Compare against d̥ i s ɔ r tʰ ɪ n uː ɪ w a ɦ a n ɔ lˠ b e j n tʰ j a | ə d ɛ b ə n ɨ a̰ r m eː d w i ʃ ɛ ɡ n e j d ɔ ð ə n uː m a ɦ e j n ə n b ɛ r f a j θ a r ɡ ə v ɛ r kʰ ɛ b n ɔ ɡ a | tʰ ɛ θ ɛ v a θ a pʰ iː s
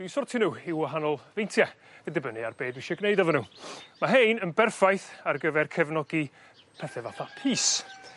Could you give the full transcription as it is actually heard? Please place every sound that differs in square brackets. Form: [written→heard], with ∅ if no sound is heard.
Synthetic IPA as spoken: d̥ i s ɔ r tʰ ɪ n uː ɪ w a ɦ a n ɔ lˠ [b→v] e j n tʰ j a | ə d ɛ b ə n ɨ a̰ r [m→b] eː d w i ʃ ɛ ɡ n e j d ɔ [ð→v] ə n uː m a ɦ e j n ə n b ɛ r f a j θ a r ɡ ə v ɛ r kʰ ɛ [b→v] n ɔ ɡ [a→i] | [tʰ→pʰ] ɛ θ ɛ v a θ a pʰ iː s